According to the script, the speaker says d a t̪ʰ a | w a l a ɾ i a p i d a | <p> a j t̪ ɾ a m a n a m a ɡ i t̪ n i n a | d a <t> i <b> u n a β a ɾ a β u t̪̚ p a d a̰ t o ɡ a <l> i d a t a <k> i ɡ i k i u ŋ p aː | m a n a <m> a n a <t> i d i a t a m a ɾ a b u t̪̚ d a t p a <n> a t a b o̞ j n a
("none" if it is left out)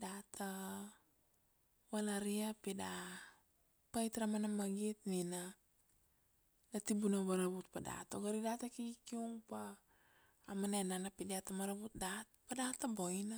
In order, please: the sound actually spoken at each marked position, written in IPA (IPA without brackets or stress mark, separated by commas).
p, t, b, ɾ, k, n, p, d